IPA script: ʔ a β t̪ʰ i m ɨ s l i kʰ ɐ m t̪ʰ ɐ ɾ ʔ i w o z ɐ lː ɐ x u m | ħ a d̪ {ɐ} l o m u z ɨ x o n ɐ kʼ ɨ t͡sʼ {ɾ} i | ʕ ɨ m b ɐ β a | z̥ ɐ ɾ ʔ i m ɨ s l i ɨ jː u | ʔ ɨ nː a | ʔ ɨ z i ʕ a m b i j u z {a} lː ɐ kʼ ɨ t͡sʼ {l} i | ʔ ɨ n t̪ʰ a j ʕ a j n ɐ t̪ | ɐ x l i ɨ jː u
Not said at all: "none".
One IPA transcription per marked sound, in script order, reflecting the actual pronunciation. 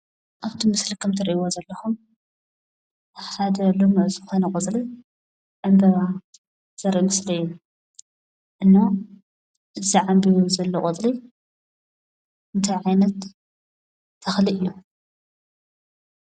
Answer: ɐ, l, ɐ, l

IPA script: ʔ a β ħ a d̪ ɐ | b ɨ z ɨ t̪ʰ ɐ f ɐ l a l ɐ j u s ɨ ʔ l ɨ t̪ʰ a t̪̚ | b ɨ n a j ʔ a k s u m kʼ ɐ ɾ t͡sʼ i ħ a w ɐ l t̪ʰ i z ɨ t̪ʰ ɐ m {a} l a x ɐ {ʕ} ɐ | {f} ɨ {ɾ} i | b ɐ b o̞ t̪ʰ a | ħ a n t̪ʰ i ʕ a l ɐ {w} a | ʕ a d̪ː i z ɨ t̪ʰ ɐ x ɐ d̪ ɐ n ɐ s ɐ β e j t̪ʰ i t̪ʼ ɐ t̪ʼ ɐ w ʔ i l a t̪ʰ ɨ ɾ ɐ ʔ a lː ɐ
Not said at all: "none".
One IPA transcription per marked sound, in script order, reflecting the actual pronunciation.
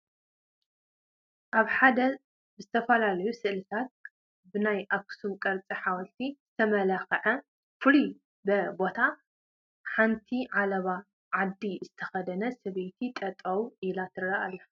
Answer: ɐ, ʕ, f, l, β

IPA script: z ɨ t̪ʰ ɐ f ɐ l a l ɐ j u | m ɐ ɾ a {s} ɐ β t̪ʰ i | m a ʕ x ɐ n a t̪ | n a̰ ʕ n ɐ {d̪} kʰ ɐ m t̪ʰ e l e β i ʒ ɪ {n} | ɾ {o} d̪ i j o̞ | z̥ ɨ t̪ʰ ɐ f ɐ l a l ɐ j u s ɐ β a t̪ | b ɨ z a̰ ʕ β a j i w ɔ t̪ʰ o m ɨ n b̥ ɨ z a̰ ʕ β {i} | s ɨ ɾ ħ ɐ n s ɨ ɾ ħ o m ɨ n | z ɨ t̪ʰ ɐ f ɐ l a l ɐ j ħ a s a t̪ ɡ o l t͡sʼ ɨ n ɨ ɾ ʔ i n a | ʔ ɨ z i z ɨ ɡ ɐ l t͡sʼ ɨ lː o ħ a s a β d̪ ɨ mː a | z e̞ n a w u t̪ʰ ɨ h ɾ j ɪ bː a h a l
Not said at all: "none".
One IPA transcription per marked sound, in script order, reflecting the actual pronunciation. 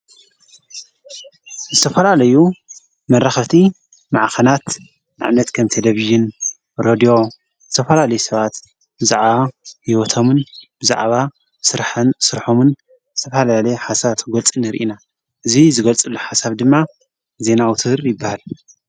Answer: x, t̪, n, o, a

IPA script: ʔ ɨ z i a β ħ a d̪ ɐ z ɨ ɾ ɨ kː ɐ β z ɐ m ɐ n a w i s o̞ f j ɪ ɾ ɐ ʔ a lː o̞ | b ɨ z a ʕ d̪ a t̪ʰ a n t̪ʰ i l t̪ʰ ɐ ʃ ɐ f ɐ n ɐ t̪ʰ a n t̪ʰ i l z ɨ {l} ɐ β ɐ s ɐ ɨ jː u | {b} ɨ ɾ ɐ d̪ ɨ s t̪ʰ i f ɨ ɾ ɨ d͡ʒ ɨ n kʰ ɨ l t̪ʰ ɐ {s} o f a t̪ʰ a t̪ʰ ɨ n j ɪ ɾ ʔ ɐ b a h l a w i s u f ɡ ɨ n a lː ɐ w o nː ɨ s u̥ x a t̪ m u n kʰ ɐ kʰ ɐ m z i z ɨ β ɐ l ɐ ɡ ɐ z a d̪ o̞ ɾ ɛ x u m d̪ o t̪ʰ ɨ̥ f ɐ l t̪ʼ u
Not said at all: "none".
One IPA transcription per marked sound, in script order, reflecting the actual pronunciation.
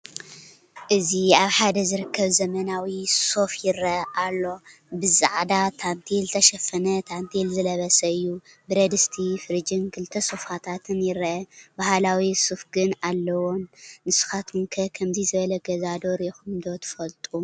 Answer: l, b, s

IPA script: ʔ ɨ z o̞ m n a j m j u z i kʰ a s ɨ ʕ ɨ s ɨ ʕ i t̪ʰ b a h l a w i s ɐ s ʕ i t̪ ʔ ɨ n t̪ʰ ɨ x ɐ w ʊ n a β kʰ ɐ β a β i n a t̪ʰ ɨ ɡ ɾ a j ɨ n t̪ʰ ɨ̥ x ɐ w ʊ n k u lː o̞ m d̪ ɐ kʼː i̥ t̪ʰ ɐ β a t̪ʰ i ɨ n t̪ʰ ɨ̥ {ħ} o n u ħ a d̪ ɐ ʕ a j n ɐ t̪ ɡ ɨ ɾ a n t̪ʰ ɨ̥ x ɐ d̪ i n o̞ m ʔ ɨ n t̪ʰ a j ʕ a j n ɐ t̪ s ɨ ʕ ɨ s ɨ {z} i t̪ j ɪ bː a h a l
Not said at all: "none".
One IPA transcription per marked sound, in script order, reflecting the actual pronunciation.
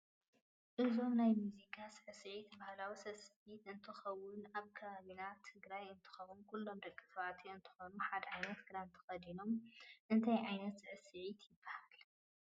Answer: x, ʕ

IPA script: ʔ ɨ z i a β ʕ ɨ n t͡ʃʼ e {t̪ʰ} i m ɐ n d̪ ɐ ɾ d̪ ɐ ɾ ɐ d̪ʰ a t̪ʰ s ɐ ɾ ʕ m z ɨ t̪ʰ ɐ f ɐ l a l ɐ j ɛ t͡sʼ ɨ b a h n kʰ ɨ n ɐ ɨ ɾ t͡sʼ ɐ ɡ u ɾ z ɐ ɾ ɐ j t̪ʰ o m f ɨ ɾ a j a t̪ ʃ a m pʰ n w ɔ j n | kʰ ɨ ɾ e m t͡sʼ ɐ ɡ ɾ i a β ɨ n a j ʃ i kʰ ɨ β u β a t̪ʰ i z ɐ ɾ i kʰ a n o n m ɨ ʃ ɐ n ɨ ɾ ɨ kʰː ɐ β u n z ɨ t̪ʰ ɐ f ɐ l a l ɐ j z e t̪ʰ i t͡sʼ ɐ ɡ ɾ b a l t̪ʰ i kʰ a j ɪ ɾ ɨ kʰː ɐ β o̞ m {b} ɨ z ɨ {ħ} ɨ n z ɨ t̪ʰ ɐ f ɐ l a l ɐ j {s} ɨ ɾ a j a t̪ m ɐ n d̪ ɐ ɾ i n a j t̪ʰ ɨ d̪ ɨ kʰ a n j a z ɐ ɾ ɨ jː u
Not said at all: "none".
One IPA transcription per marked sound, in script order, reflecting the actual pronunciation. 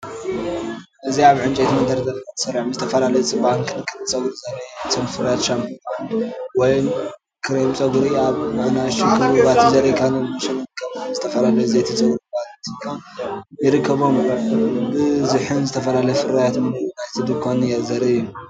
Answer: t̪, b, ħ, f

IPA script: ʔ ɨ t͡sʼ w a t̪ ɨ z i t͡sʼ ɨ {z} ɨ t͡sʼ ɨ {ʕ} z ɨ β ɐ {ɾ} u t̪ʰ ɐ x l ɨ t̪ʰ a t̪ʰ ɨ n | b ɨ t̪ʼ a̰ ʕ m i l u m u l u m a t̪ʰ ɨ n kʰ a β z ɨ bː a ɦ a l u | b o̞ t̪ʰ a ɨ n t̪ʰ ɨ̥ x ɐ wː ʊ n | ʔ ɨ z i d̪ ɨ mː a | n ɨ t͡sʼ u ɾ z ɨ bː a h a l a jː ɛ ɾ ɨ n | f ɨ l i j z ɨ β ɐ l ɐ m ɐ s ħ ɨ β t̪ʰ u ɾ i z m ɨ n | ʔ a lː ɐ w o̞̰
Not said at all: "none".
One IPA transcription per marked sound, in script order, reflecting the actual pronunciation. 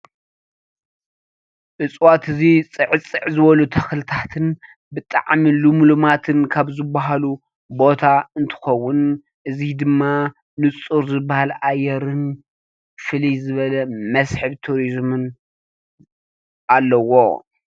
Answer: ʕ, ʕ, l

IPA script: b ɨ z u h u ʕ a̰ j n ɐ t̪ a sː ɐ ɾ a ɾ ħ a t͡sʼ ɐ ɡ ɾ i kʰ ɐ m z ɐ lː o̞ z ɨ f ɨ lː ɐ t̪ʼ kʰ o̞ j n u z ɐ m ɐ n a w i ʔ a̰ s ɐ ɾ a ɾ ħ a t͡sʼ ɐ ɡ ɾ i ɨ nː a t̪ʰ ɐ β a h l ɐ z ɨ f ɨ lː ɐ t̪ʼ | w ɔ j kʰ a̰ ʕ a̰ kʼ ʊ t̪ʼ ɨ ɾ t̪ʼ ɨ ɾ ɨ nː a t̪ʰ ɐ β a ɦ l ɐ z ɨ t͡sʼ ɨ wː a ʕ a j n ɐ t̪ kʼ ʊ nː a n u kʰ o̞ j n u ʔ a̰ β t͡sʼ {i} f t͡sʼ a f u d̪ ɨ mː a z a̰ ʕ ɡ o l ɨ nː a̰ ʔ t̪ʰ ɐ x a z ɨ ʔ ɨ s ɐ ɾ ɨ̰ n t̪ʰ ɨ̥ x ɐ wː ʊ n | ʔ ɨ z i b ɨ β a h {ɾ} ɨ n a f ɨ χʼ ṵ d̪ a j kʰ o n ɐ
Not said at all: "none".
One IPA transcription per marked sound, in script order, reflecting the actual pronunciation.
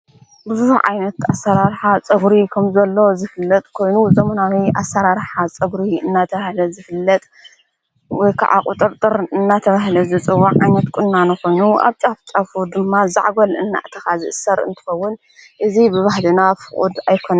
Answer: a, l

